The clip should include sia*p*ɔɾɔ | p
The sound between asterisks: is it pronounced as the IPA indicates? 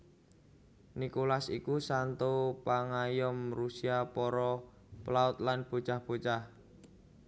yes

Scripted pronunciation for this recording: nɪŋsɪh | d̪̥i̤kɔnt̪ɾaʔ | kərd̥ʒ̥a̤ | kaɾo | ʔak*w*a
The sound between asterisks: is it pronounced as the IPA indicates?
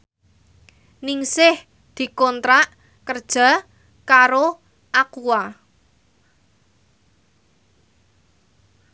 no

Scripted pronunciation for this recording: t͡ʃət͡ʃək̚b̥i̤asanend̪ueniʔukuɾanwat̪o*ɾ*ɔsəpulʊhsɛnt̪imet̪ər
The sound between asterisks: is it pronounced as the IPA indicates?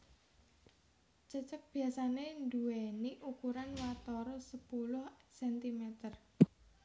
yes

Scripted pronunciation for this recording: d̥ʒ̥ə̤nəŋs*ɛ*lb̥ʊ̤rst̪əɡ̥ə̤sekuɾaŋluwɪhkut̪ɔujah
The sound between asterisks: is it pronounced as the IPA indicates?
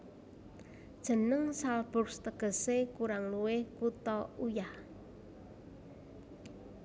no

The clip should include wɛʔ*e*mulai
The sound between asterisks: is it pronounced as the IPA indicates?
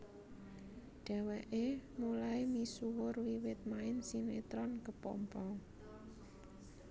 yes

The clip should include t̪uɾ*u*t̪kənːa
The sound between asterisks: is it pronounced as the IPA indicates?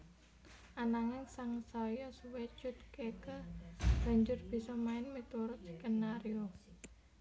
no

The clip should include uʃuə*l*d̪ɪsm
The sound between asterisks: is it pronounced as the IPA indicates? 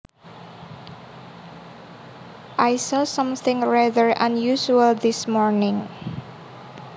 yes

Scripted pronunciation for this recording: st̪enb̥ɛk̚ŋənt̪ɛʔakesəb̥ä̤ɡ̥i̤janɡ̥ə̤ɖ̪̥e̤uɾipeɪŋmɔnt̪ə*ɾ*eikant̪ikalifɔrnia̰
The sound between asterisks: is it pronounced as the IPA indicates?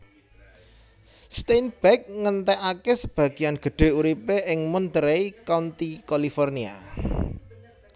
yes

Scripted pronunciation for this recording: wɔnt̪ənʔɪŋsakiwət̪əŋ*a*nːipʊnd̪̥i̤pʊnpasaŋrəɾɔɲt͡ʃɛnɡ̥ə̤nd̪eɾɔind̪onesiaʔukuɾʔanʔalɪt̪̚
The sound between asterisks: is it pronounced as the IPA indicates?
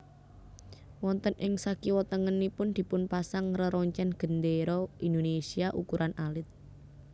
no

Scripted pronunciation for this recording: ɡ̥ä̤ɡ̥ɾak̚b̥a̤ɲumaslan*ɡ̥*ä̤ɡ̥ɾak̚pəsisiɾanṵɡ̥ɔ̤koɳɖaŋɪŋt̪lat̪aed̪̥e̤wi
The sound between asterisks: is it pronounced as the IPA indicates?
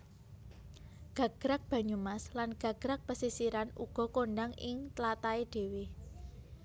yes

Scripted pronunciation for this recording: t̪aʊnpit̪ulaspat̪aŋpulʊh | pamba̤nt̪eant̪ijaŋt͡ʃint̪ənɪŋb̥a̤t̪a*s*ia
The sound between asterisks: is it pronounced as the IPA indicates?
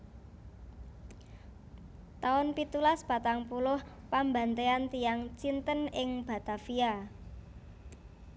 no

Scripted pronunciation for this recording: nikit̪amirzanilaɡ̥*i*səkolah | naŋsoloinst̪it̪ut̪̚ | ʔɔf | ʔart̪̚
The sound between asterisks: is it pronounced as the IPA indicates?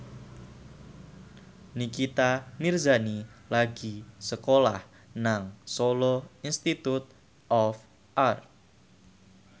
yes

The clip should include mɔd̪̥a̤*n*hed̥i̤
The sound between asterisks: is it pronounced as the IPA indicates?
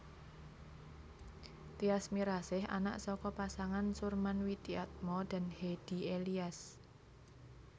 yes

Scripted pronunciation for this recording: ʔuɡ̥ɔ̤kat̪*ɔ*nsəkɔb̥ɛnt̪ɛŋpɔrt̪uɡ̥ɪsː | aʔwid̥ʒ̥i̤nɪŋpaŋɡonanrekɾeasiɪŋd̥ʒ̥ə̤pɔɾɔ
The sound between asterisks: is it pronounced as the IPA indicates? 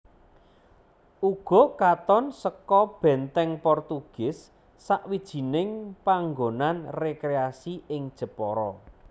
yes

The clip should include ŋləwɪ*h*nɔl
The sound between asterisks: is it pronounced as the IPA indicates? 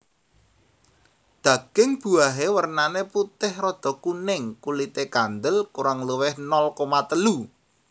yes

